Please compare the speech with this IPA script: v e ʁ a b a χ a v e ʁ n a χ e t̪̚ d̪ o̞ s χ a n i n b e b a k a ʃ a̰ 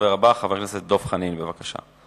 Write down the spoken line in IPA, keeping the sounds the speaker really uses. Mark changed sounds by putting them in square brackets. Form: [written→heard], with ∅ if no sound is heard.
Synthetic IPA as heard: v e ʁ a b a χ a v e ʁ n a [χ→s] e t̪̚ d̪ o̞ [s→f] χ a n i n b e [b→v] a k a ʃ a̰